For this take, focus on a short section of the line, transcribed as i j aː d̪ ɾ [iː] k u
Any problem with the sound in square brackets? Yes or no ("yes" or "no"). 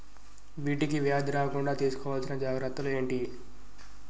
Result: yes